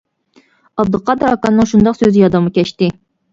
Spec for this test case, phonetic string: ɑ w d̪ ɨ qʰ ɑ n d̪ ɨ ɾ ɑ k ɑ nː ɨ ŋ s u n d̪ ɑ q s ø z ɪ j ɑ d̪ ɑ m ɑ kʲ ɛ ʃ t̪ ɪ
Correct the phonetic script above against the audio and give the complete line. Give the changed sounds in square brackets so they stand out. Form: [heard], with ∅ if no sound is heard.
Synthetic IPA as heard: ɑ [b] d̪ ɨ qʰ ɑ [∅] d̪ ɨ ɾ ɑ k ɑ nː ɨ ŋ [ʃ] u n d̪ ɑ q s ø z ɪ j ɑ d̪ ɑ m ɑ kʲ ɛ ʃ t̪ ɪ